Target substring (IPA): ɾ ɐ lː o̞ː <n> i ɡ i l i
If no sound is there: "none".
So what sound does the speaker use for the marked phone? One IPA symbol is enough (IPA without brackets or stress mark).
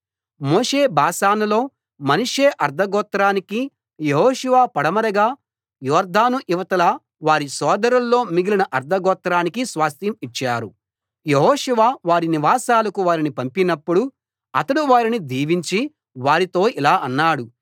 m